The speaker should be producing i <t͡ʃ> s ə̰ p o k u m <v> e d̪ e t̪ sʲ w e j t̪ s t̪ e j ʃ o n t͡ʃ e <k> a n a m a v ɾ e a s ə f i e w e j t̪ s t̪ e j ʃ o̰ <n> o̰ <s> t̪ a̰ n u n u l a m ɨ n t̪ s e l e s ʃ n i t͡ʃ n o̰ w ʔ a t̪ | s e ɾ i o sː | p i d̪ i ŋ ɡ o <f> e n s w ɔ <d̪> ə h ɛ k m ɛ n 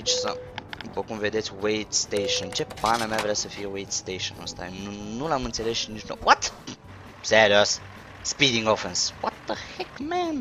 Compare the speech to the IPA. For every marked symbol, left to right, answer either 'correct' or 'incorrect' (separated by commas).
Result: correct, correct, incorrect, correct, correct, correct, incorrect